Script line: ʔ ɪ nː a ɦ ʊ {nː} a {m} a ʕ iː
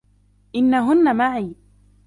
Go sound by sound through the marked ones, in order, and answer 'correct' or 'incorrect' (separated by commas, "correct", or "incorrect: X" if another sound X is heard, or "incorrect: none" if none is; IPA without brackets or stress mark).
correct, correct